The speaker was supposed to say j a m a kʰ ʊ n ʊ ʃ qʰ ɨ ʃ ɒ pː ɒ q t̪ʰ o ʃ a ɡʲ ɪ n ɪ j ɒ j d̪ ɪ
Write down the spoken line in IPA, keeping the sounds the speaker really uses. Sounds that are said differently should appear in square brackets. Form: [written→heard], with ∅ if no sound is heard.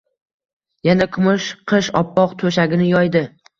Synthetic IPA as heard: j a [m→n] a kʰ ʊ [n→m] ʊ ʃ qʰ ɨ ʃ ɒ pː ɒ q t̪ʰ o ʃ a ɡʲ ɪ n ɪ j ɒ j d̪ ɪ